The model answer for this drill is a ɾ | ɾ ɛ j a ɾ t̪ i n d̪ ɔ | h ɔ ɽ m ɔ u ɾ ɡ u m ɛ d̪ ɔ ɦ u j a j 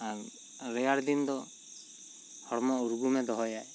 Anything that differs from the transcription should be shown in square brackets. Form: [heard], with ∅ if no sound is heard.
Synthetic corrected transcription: a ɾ | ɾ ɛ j a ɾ [d̪] i n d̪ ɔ | h ɔ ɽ m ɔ u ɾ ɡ u m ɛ d̪ ɔ ɦ [ɔ] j a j

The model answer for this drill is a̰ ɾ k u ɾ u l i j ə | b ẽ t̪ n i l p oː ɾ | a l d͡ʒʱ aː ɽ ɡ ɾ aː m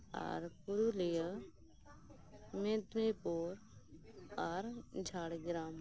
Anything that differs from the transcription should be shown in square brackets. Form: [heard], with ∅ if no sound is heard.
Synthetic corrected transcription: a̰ ɾ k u ɾ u l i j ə | [m] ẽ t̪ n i [∅] p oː ɾ | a [ɾ] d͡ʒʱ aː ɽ ɡ ɾ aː m

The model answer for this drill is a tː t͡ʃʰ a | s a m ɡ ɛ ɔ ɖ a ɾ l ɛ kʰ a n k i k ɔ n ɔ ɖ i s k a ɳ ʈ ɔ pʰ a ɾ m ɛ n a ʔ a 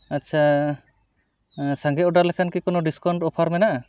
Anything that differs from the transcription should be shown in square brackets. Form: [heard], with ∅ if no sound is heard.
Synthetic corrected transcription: a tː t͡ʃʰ a | s a [ŋ] ɡ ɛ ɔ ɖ a ɾ l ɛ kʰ a n k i k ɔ n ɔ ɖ i s k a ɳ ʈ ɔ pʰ a ɾ m ɛ n a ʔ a

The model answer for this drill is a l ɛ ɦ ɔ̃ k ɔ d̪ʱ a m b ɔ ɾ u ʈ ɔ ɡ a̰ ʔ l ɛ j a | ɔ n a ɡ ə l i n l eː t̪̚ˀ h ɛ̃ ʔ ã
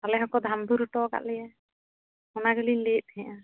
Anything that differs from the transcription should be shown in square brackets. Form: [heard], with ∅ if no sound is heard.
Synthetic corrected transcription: a l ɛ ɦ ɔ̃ k ɔ d̪ʱ a m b [u] ɾ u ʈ ɔ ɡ a̰ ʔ l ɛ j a | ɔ n a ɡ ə l i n l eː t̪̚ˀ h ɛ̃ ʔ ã

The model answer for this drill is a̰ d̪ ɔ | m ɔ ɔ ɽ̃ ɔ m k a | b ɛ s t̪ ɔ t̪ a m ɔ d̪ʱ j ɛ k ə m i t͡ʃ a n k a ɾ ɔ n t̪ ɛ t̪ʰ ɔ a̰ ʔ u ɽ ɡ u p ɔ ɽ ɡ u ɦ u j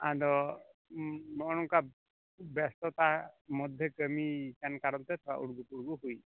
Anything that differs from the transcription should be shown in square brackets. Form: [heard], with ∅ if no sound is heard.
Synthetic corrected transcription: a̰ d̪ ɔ | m ɔ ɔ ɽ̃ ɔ [ŋ] k a | b ɛ s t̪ ɔ t̪ a m ɔ d̪ʱ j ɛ k ə m i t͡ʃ a n k a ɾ ɔ n t̪ ɛ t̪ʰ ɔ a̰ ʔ u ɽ ɡ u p [u] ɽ ɡ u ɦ u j

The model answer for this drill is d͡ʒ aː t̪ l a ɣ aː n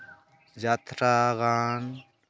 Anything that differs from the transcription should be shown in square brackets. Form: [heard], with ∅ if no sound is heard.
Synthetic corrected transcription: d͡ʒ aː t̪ [ɾ] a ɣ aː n

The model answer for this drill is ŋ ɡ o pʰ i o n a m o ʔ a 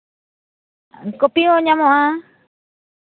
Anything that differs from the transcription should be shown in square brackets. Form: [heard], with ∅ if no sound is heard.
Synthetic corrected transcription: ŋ [k] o [p] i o [ɲ] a m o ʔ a

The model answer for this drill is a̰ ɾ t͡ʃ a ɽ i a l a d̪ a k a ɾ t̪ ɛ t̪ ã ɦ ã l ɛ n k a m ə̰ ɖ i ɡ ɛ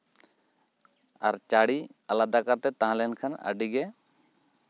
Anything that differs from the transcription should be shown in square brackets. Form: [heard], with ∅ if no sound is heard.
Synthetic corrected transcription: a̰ ɾ t͡ʃ a ɽ i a l a d̪ a k a ɾ t̪ ɛ t̪ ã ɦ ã l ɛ n [kʰ] a [n] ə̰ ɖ i ɡ ɛ

